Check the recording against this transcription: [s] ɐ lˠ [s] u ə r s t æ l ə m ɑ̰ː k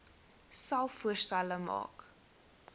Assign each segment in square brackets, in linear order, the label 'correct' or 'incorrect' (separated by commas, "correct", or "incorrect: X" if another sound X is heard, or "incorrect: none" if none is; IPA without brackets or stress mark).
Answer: correct, incorrect: f